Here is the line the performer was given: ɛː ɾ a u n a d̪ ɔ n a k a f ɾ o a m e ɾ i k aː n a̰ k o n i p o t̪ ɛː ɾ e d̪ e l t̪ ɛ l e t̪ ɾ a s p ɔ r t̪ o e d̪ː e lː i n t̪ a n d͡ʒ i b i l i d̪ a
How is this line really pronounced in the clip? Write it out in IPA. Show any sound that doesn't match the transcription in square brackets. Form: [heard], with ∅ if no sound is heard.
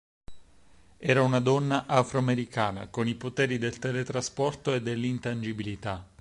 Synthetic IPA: ɛː ɾ a u n a d̪ ɔ [nː] a [ʔ] a f ɾ o a m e ɾ i k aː n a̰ k o n i p o t̪ ɛː ɾ [i] d̪ e l t̪ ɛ l e t̪ ɾ a s p ɔ r t̪ o e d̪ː e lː i n t̪ a n d͡ʒ i b i l i [t̪] a